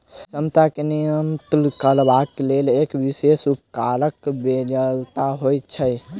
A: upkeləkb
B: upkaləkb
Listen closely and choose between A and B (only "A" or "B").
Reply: B